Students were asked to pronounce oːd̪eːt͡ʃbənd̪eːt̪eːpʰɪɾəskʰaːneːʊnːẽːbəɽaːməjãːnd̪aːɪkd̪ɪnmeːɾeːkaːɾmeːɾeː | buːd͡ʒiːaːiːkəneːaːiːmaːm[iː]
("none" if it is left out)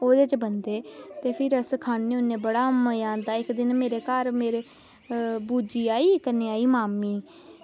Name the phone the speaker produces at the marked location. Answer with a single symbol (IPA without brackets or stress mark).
iː